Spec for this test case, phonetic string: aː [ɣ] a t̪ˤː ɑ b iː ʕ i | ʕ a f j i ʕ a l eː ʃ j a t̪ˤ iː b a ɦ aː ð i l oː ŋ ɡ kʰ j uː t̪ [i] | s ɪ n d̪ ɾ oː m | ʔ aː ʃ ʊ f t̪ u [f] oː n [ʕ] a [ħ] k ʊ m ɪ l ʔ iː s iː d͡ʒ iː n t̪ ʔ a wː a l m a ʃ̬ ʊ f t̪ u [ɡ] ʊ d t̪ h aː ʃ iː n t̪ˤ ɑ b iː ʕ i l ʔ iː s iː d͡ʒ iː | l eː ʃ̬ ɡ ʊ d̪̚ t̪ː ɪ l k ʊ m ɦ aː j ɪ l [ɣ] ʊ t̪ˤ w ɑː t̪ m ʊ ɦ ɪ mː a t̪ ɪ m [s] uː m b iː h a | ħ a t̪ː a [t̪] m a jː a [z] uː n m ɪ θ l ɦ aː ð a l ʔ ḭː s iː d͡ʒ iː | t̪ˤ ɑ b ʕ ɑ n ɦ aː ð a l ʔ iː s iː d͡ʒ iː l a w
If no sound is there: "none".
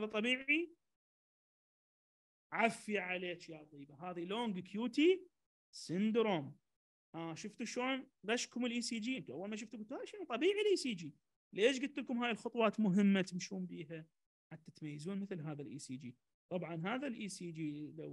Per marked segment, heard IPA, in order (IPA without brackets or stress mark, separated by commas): ð, i, ʃ, ɣ, ʃ, ɡ, x, ʃ, t̪, z